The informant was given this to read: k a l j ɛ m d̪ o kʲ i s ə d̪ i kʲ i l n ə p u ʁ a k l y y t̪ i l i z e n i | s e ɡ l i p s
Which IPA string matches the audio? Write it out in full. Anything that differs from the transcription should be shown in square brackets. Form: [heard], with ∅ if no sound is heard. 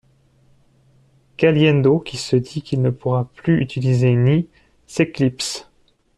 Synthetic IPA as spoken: k a l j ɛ [n] d̪ o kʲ i s ə d̪ i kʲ i l n ə p u ʁ a [p] l y y t̪ i l i z e n i | s e [k] l i p s